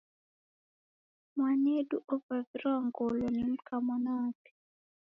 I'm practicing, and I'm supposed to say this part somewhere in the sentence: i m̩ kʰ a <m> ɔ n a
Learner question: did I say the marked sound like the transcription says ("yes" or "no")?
yes